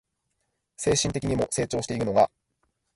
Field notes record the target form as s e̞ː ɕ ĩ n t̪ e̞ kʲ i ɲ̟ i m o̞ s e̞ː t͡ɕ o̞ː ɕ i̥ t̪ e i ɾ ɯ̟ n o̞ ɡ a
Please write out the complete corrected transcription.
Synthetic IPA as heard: s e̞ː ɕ ĩ n t̪ e̞ kʲ i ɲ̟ i m o̞ s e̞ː t͡ɕ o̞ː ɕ i̥ t̪ e i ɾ ɯ̟ n o̞ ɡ a